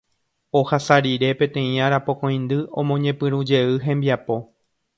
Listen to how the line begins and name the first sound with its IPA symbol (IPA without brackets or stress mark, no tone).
o̞